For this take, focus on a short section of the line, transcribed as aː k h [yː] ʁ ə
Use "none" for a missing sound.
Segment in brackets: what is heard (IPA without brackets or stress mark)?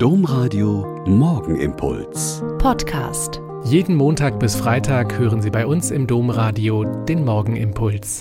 øː